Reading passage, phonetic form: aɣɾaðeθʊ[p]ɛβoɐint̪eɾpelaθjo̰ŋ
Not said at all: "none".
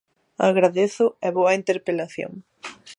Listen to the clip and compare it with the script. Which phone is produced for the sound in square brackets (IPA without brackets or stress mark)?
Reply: none